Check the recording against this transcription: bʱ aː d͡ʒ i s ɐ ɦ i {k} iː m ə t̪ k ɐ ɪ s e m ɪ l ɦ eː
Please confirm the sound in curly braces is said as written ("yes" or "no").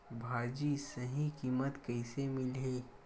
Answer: yes